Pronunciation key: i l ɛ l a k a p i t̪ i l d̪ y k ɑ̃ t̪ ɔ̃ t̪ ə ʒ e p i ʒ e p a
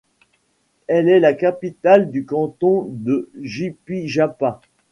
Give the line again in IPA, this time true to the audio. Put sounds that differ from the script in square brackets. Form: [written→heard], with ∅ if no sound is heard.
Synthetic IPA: [i→ɛ] l ɛ l a k a p i t̪ [i→a] l d̪ y k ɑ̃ t̪ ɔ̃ [t̪→d̪] ə ʒ [e→i] p i ʒ [e→a] p a